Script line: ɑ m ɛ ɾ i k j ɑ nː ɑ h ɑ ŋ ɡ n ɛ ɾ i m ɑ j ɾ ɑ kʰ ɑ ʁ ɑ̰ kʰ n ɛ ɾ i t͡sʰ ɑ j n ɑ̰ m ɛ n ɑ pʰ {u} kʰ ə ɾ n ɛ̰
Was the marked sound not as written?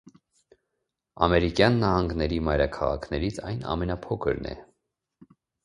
yes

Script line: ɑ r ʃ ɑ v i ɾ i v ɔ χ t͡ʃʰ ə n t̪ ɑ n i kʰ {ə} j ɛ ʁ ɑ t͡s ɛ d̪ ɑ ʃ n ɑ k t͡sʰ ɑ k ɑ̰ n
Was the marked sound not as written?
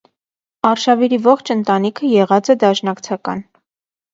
no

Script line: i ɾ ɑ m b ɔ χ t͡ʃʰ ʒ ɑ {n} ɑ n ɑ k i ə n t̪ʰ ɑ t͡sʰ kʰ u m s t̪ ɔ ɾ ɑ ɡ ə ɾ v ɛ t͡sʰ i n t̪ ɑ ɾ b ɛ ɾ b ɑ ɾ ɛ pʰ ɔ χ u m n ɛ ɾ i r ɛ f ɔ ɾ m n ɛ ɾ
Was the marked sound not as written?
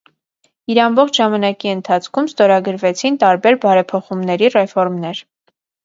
yes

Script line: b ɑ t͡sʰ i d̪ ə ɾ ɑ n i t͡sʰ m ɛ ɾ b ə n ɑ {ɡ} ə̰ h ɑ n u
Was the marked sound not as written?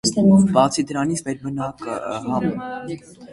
yes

